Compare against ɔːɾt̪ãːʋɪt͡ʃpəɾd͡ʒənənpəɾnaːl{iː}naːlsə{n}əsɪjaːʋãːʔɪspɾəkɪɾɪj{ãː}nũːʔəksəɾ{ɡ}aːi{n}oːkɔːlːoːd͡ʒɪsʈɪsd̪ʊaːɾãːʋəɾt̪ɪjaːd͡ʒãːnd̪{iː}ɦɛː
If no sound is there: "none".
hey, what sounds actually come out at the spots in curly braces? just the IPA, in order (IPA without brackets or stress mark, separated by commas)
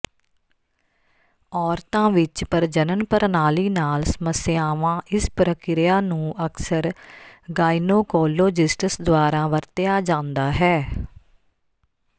iː, m, aː, ɡ, n, aː